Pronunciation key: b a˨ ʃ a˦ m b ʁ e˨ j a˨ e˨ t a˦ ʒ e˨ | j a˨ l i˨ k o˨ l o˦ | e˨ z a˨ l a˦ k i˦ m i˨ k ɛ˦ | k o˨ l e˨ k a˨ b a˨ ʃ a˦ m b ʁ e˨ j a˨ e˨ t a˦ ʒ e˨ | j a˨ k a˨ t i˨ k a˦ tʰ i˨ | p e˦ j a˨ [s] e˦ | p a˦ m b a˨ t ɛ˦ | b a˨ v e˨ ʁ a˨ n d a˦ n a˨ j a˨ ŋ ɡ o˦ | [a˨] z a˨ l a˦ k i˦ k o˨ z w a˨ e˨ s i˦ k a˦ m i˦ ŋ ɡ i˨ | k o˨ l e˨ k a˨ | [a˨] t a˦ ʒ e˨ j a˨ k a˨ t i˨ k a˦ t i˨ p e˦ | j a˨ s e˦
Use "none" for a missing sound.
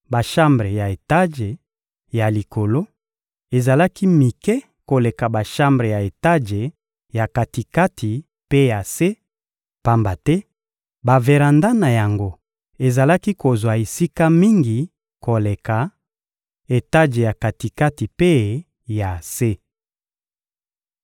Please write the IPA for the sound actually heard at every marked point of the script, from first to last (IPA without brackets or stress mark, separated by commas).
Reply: s, e˨, e˨